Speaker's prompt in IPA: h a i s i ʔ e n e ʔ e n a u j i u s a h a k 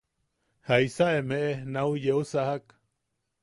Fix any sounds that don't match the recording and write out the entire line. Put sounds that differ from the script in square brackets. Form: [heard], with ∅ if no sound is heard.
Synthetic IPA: h a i s [a] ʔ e [m] e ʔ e n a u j [e] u s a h a k